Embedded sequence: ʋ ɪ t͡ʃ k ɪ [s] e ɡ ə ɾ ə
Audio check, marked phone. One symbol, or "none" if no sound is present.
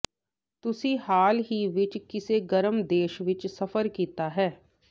s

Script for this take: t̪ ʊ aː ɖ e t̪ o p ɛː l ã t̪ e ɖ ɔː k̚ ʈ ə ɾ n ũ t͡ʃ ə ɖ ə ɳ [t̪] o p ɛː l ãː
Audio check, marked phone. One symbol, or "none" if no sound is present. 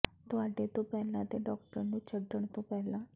t̪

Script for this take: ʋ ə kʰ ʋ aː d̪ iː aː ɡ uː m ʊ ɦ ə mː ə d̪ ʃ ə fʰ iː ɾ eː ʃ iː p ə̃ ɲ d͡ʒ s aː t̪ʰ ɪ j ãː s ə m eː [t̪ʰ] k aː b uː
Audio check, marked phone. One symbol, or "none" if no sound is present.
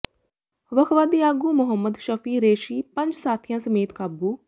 t̪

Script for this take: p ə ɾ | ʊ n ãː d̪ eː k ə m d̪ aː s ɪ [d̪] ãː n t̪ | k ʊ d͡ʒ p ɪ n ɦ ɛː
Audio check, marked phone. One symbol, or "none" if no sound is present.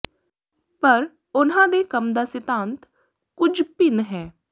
t̪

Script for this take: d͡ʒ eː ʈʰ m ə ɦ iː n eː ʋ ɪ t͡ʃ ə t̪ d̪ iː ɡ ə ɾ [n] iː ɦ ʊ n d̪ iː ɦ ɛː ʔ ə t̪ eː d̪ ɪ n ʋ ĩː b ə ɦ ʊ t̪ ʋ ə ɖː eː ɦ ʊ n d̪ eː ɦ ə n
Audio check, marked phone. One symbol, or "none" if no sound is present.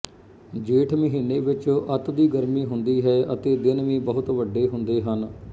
m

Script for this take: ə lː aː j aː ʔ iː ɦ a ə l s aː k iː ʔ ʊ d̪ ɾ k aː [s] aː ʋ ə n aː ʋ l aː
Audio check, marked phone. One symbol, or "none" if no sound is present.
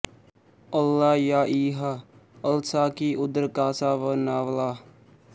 s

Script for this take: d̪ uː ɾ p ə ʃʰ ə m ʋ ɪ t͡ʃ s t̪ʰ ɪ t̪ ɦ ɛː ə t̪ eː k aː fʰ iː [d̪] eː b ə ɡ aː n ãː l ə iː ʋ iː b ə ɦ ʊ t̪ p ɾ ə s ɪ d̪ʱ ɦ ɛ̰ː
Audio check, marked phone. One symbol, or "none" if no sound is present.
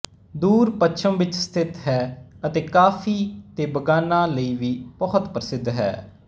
t̪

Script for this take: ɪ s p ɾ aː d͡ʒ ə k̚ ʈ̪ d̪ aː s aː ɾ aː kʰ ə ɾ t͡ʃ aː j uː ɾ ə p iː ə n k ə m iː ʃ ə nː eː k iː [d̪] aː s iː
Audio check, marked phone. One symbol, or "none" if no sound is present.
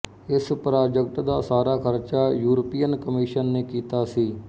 t̪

